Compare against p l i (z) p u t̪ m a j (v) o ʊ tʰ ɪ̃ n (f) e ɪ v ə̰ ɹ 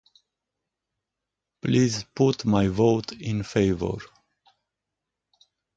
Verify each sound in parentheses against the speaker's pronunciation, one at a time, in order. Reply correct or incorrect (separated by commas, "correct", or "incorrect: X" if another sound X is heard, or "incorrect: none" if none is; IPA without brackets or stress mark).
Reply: correct, correct, correct